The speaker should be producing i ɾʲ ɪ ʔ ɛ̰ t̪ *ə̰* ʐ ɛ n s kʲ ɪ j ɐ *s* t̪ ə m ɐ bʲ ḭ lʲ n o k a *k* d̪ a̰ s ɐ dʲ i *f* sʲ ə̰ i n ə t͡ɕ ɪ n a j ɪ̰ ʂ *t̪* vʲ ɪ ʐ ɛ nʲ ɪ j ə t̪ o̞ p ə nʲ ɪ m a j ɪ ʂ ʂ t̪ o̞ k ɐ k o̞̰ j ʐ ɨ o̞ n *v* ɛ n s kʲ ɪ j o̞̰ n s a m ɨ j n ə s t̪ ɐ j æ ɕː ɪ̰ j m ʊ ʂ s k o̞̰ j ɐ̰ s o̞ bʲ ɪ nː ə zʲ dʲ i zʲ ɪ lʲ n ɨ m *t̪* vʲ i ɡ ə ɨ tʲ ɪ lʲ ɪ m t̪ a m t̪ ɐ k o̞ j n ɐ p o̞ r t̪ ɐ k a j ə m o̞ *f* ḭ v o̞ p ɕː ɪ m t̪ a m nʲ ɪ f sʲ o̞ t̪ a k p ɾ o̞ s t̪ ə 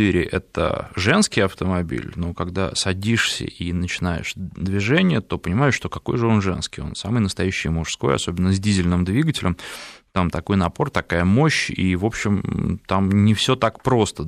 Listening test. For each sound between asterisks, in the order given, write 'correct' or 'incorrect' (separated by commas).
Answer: correct, incorrect, incorrect, incorrect, incorrect, incorrect, incorrect, incorrect